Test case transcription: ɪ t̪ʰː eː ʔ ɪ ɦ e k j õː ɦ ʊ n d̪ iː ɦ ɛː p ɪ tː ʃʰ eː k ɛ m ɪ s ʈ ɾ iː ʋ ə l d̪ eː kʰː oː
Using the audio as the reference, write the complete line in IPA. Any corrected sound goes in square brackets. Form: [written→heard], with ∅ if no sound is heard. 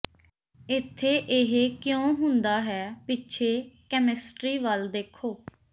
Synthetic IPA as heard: ɪ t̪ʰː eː ʔ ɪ ɦ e k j õː ɦ ʊ n d̪ [iː→aː] ɦ ɛː p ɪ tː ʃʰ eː k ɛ m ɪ s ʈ ɾ iː ʋ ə l d̪ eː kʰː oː